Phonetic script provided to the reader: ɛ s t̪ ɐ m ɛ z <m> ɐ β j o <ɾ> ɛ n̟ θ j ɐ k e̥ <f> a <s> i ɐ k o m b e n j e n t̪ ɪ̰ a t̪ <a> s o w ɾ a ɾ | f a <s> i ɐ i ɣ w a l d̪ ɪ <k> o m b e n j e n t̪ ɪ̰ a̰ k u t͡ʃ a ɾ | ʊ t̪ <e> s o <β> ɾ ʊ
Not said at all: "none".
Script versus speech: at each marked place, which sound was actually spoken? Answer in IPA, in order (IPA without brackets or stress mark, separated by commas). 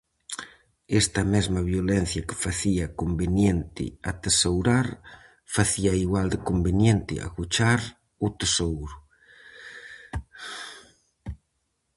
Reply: m, l, f, θ, e, θ, k, e, w